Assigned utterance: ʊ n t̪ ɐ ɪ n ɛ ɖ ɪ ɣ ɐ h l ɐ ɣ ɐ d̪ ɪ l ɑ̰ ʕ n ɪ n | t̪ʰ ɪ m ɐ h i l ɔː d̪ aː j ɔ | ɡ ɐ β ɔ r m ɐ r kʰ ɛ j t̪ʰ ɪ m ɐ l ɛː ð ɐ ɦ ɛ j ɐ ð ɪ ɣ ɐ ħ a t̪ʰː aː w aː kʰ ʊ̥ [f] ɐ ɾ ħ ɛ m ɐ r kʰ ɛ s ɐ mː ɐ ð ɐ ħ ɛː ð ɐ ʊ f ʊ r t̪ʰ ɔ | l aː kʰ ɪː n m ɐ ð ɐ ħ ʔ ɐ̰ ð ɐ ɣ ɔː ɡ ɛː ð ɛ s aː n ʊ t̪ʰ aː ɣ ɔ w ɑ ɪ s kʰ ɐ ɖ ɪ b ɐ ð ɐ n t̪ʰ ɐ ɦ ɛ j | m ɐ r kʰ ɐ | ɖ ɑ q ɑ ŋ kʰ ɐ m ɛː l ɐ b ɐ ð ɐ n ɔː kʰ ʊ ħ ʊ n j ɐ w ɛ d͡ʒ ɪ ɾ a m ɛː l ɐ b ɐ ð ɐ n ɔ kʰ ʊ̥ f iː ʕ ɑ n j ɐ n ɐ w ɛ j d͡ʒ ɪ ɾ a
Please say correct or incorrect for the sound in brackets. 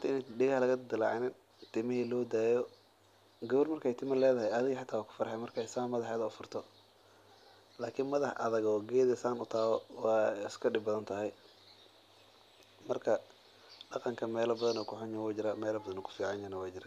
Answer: correct